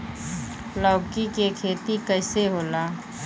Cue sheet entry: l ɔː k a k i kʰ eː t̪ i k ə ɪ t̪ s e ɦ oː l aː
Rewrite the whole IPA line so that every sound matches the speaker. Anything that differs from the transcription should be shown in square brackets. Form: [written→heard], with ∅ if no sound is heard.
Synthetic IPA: l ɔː k [a→i] k [i→e] kʰ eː t̪ i k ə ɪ [t̪→∅] s e ɦ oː l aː